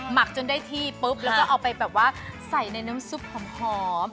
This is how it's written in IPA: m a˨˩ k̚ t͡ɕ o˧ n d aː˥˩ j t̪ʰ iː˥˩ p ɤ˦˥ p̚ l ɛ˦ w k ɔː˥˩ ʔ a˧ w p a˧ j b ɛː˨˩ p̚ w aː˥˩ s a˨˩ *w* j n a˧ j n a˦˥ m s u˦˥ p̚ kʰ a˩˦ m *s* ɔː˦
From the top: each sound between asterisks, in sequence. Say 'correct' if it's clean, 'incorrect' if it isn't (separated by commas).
incorrect, incorrect